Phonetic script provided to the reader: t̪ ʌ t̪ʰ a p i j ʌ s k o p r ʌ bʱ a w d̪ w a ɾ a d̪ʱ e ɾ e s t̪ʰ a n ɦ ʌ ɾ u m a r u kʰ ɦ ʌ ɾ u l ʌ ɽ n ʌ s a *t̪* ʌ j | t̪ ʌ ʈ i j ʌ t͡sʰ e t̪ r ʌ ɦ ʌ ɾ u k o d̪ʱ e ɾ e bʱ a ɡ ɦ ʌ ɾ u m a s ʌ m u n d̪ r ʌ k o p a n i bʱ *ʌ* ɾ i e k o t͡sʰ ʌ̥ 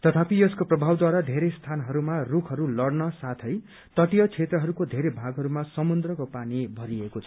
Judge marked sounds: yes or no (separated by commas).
no, yes